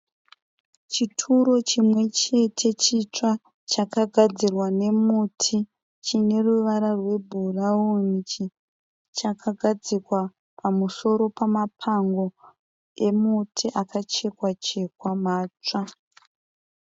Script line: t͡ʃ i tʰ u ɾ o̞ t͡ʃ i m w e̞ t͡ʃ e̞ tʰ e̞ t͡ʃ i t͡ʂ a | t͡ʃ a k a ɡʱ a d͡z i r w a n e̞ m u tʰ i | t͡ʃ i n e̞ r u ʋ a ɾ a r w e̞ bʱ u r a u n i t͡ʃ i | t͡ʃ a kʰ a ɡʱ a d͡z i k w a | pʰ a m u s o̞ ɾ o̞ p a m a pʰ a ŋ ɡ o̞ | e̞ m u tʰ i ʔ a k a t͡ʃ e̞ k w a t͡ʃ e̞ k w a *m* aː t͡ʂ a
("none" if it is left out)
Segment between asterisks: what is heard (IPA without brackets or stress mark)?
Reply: m